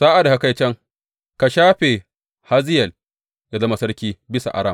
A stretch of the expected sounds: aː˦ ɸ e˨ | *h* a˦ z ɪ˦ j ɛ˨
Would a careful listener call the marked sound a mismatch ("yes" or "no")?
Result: no